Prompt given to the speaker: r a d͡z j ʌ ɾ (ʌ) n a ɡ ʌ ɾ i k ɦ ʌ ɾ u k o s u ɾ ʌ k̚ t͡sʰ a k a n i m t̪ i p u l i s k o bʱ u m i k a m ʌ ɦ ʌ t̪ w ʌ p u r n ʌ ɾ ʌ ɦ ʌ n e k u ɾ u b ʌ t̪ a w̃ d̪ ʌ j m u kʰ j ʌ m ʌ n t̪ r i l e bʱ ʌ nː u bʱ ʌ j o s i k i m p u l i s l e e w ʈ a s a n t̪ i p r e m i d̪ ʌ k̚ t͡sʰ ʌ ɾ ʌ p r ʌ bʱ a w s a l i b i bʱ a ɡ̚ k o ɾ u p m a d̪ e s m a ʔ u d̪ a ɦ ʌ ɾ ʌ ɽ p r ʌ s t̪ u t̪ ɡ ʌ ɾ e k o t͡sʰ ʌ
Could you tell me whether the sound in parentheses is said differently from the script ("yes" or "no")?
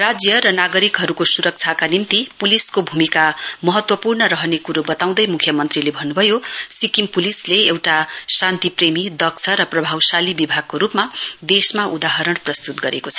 no